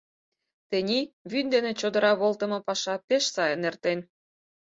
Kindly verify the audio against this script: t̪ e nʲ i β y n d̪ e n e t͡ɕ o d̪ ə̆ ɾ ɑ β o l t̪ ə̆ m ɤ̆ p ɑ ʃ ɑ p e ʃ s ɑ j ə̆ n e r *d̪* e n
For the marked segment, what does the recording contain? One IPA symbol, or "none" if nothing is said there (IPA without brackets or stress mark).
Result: t̪